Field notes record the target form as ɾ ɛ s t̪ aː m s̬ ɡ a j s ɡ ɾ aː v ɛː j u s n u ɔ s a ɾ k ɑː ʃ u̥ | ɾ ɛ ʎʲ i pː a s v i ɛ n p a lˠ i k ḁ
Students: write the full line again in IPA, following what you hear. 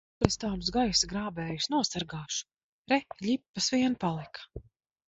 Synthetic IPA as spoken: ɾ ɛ s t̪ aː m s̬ ɡ a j s ɡ ɾ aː b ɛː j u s n u ɔ s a ɾ ɡ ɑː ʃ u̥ | ɾ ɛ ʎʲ i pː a s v i ɛ n p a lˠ i k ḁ